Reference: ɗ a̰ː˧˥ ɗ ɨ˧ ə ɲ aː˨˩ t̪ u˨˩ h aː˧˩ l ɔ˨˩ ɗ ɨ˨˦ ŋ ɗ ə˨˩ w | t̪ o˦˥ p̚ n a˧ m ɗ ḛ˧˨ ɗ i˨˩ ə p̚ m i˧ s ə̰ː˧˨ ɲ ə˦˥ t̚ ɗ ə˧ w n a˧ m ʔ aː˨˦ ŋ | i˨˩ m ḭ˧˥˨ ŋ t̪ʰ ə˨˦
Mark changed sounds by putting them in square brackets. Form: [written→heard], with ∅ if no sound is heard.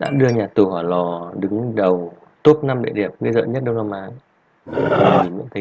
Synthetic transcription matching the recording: ɗ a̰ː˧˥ ɗ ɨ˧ ə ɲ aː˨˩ t̪ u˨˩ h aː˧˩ l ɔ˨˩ ɗ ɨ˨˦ ŋ ɗ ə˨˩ w | t̪ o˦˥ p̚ n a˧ m ɗ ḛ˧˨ ɗ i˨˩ ə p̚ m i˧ [s→z] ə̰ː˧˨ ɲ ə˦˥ t̚ ɗ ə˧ w n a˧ m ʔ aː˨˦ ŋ | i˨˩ m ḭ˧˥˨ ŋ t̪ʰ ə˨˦